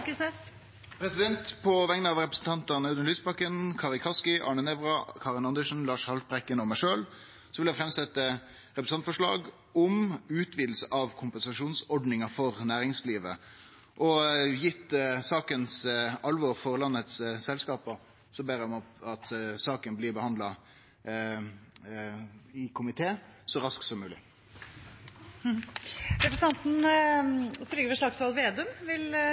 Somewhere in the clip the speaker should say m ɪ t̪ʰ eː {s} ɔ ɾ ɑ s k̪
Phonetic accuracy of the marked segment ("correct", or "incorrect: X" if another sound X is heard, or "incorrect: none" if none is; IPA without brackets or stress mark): correct